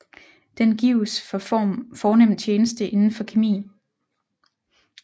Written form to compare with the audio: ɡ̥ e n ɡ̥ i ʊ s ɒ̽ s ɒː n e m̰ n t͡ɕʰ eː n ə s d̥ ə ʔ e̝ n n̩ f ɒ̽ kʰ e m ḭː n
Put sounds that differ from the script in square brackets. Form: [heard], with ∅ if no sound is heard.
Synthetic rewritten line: [d̥] e n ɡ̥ i ʊ s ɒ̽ [f] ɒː n e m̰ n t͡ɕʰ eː n ə s d̥ ə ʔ e̝ n n̩ f ɒ̽ kʰ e m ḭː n